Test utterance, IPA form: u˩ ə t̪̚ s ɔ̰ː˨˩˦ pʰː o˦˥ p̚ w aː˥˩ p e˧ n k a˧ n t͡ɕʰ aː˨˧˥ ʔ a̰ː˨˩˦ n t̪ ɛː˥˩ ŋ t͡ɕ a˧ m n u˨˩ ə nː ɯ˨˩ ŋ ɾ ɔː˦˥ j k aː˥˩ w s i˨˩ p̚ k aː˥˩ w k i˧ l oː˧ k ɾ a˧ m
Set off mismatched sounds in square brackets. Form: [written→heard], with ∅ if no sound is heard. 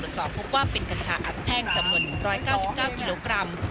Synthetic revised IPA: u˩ ə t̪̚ s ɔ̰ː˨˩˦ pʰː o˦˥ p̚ w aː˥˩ p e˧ n k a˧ n t͡ɕʰ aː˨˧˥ ʔ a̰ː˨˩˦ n [t̪→t̪ʰ] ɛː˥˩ ŋ t͡ɕ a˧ m n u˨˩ ə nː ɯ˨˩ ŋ ɾ ɔː˦˥ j k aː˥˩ w s i˨˩ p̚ k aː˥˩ w k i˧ l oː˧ k ɾ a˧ m